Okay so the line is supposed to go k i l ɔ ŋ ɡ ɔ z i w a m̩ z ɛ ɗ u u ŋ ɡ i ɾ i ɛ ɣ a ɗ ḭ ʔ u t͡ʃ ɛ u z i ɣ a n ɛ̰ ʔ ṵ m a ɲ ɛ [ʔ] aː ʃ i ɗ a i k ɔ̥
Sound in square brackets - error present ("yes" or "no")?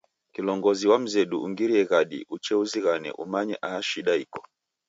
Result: no